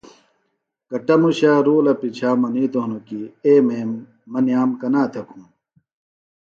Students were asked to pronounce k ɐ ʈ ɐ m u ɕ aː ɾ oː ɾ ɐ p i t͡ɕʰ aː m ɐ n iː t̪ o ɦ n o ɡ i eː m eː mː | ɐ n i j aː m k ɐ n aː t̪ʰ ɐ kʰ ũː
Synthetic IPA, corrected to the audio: k ɐ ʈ ɐ m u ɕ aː ɾ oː l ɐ p i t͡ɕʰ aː m ɐ n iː t̪ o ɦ n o k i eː m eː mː | ɐ n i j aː m k ɐ n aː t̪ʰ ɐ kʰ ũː